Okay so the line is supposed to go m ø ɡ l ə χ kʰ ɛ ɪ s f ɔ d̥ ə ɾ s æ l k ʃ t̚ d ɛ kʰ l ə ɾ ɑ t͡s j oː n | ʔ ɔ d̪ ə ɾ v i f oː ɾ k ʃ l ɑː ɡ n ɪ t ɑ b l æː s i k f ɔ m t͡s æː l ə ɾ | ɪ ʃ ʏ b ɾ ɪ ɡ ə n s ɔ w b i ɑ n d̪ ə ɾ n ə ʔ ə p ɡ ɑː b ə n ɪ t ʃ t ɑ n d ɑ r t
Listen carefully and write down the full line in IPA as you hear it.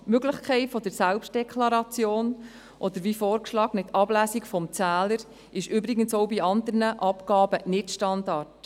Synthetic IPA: m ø ɡ l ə χ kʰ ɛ ɪ t f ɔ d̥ ə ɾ s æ l p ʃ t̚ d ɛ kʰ l ɑ ɾ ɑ t͡s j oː n | ʔ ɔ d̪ ə ɾ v i f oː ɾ k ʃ l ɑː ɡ n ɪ t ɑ b l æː s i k f ɔ m t͡s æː l ə ɾ | ɪ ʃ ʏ b ɾ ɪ ɡ ə n s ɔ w b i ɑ n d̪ ə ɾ n ə ʔ ɑ p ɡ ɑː b ə n ɪ t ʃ t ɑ n d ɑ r t